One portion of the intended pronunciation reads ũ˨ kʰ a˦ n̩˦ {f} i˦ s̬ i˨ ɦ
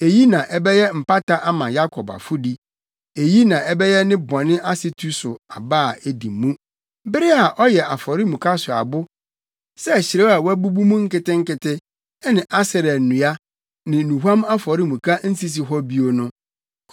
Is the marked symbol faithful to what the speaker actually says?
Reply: no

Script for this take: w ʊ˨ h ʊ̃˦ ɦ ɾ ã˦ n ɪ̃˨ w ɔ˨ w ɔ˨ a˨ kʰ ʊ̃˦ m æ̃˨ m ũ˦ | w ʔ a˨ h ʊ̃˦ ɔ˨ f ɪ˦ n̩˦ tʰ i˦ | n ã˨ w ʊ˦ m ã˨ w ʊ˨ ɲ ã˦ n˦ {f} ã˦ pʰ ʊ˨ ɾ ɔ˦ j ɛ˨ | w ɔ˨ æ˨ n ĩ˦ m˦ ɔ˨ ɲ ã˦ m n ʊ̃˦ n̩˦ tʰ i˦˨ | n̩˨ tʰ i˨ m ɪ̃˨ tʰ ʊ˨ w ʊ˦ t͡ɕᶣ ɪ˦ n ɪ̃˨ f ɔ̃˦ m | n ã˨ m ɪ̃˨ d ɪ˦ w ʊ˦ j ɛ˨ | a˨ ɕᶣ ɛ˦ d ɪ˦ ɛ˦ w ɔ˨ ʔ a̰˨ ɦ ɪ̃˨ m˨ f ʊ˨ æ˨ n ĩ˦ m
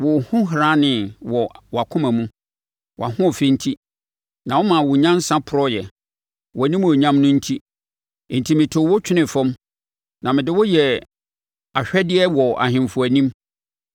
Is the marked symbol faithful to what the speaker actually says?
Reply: no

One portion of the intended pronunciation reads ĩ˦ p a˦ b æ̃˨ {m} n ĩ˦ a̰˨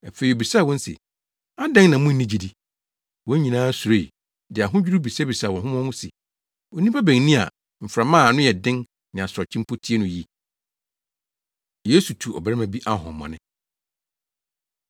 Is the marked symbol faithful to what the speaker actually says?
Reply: no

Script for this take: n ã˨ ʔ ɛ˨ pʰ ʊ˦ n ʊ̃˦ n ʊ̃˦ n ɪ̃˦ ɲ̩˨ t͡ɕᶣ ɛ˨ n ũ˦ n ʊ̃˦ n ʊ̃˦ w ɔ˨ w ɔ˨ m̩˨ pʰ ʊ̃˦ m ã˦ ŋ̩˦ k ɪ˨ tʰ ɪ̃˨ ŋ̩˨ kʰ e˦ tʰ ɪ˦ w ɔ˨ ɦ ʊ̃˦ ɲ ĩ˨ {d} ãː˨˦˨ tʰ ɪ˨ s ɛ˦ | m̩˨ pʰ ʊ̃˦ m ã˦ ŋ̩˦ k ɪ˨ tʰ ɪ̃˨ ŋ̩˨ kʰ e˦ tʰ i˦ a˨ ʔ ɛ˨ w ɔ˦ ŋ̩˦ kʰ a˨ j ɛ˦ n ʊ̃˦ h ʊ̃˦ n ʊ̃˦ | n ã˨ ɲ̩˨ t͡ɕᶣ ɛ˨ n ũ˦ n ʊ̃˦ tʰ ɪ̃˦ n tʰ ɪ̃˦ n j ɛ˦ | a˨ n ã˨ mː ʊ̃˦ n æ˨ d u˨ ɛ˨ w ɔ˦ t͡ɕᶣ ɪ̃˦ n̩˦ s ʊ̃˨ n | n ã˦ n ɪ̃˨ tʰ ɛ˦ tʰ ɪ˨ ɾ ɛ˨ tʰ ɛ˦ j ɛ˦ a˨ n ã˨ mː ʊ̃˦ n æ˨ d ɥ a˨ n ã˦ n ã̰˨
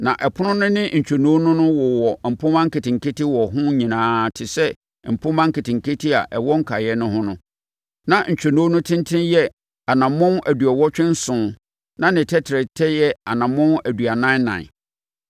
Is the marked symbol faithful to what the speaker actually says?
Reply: no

